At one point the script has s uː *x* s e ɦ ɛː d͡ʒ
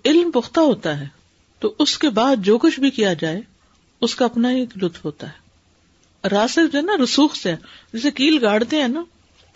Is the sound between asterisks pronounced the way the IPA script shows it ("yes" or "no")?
yes